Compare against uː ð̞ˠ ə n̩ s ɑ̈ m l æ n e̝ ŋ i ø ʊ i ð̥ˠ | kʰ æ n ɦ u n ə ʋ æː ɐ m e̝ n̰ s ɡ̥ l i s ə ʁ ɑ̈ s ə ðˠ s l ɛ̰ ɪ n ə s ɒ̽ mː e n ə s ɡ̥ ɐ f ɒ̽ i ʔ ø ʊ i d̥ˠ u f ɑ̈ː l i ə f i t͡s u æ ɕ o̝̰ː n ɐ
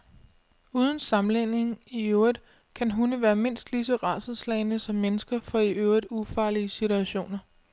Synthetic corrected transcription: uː ð̞ˠ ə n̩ s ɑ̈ m l e n e̝ ŋ i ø ʊ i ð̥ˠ | kʰ æ n ɦ u n ə ʋ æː ɐ m e̝ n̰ s d̥ l i s ə ʁ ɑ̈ s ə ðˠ s l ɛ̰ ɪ n ə s ɒ̽ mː e n ə s ɡ̥ ɐ f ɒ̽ i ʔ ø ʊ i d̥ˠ u f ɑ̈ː l i ə s i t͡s u æ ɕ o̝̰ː n ɐ